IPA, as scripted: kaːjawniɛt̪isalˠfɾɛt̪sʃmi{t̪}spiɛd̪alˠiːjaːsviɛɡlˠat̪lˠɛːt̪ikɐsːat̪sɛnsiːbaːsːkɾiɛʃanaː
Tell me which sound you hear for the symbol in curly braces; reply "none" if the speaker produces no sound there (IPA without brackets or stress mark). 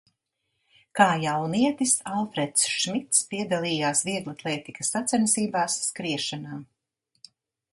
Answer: t̪